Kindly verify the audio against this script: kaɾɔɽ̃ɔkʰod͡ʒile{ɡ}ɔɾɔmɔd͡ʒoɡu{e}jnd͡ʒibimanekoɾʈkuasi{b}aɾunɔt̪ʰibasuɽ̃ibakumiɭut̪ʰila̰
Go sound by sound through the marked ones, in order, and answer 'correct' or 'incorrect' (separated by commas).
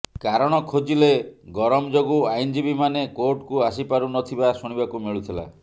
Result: correct, incorrect, incorrect